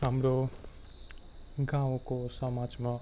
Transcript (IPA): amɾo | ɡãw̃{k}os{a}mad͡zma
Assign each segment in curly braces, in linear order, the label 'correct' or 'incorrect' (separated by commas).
correct, incorrect